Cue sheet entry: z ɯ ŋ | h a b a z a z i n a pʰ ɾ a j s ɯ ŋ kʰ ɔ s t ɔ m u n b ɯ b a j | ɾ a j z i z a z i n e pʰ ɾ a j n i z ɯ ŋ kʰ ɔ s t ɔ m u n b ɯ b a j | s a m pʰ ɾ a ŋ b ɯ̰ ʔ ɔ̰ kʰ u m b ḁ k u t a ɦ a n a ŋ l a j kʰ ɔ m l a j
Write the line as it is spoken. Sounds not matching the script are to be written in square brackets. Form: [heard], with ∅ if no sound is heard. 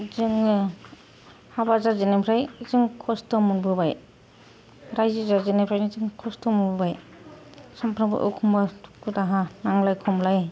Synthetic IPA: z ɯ ŋ | h a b a z a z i n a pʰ ɾ a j [z] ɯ ŋ kʰ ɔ s t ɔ m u n b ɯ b a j | ɾ a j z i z a z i n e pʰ ɾ a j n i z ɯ ŋ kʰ ɔ s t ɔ m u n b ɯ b a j | s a m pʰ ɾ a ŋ b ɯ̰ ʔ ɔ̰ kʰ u m b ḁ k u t a ɦ a n a ŋ l a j kʰ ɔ m l a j